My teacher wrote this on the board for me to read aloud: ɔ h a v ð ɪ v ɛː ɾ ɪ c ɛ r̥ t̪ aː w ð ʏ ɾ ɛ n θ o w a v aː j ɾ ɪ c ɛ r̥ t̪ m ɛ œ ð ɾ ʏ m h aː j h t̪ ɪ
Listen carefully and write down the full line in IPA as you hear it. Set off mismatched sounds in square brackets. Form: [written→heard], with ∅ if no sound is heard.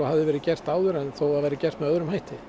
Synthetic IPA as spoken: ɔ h a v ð ɪ v ɛː ɾ ɪ c ɛ r̥ t̪ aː w ð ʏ ɾ ɛ n θ o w a v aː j ɾ ɪ c ɛ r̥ t̪ m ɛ œ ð ɾ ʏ m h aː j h t̪ ɪ